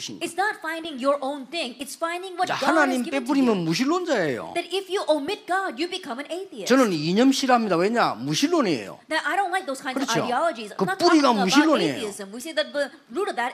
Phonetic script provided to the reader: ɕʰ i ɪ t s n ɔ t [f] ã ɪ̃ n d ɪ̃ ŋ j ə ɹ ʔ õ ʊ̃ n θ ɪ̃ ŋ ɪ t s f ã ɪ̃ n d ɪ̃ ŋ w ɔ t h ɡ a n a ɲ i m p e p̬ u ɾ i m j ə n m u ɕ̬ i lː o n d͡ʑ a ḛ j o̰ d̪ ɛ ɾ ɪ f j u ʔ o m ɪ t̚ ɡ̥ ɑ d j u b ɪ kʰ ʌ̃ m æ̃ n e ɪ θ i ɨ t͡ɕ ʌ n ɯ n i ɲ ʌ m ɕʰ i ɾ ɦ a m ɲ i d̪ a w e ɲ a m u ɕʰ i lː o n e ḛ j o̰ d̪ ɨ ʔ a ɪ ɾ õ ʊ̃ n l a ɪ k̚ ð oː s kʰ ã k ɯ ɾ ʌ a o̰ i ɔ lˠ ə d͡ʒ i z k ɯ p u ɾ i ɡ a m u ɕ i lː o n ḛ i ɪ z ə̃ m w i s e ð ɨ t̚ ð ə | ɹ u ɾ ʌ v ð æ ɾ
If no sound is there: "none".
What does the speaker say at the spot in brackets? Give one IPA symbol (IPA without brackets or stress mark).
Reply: f